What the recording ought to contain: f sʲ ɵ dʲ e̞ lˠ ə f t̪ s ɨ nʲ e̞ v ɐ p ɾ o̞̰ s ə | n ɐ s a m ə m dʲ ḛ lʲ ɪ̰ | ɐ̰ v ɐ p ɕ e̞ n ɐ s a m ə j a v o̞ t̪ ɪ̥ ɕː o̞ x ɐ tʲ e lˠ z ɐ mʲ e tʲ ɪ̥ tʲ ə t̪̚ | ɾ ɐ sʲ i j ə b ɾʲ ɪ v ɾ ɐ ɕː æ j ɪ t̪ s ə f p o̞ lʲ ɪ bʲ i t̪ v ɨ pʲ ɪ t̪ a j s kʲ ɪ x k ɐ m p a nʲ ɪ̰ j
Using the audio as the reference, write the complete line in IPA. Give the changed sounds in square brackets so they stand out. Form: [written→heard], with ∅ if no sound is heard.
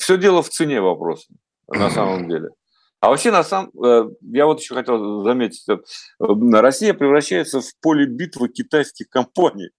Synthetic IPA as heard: f sʲ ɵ dʲ e̞ lˠ ə f t̪ s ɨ nʲ e̞ v ɐ p ɾ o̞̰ s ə | n ɐ s a m ə m dʲ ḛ lʲ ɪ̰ | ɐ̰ v ɐ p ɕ e̞ n ɐ s a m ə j a v o̞ t̪ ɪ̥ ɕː o̞ x ɐ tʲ e lˠ z ɐ mʲ e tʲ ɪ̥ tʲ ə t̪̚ | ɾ ɐ sʲ i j ə [b→p] ɾʲ ɪ v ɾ ɐ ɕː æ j ɪ t̪ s ə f p o̞ lʲ ɪ bʲ i t̪ v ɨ [pʲ→kʲ] ɪ t̪ a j s kʲ ɪ x k ɐ m p a nʲ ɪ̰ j